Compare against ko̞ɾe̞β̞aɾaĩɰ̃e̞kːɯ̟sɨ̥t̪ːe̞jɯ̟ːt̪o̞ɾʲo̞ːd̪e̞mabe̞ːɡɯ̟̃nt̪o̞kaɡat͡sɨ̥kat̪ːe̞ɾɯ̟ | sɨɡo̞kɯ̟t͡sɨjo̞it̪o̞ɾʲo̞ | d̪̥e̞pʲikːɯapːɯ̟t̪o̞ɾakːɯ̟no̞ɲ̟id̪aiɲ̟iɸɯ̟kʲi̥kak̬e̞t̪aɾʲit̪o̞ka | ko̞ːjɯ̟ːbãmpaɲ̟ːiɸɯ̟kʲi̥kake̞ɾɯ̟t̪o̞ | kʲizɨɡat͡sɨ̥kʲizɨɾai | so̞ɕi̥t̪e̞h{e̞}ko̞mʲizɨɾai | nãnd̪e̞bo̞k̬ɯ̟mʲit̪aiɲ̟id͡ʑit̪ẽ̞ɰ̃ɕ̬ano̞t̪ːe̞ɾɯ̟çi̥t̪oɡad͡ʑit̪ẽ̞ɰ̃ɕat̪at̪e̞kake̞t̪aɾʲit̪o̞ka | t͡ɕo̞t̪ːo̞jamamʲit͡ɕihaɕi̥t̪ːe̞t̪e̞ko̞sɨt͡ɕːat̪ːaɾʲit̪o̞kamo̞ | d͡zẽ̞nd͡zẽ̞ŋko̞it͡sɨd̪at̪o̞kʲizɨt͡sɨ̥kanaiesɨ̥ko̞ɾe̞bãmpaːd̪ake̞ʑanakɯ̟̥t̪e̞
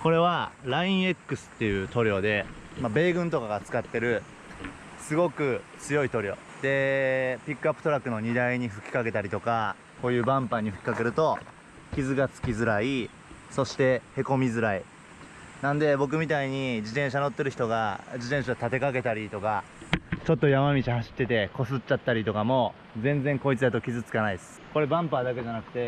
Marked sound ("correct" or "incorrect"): correct